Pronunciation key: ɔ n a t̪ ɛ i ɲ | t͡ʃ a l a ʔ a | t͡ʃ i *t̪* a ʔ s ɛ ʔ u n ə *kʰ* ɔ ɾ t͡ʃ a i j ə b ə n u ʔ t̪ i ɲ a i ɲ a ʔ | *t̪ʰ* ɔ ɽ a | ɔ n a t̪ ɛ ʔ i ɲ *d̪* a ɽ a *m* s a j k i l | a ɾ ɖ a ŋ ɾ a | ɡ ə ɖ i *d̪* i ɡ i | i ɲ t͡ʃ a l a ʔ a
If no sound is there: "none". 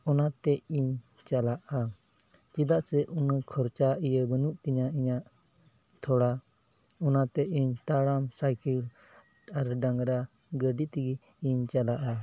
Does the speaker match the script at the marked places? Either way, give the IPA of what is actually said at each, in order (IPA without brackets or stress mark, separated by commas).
d̪, kʰ, t̪ʰ, t̪, m, t̪